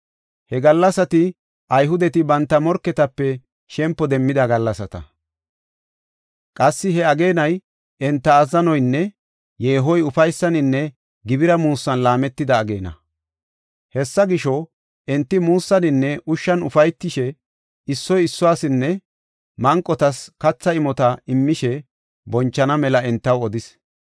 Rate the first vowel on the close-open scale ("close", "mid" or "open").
mid